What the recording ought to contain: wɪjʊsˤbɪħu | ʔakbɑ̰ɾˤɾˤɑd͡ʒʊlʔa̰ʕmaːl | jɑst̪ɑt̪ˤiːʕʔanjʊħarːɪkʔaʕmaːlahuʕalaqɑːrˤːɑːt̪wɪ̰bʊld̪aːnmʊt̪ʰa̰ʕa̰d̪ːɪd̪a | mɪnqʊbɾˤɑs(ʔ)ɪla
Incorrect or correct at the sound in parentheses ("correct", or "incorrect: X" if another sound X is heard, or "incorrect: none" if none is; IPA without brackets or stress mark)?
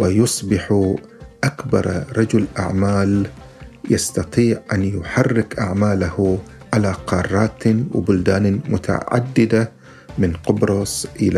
correct